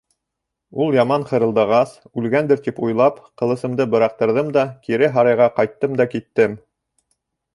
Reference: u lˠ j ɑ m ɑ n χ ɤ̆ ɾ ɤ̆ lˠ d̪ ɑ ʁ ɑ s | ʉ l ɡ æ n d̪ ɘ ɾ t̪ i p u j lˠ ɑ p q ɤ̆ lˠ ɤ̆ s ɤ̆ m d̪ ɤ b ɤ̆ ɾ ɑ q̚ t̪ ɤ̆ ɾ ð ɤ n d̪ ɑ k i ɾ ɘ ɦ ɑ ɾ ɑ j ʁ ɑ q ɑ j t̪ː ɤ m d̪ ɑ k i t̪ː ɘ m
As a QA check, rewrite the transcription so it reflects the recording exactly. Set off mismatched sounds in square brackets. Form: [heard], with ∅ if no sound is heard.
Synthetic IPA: u lˠ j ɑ m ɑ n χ ɤ̆ ɾ ɤ̆ lˠ d̪ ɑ ʁ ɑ s | ʉ l ɡ æ n d̪ ɘ ɾ t̪ i p u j lˠ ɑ p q ɤ̆ lˠ ɤ̆ s ɤ̆ m d̪ ɤ b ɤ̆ ɾ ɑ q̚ t̪ ɤ̆ ɾ ð ɤ [m] d̪ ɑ k i ɾ ɘ ɦ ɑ ɾ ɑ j ʁ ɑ q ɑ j t̪ː ɤ m d̪ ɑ k i t̪ː ɘ m